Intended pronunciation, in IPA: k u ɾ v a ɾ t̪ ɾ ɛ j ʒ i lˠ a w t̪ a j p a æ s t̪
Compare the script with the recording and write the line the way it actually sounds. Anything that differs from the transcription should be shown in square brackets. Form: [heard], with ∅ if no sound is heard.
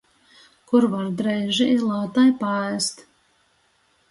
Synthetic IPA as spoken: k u ɾ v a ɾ [d̪] ɾ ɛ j ʒ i lˠ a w t̪ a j p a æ s t̪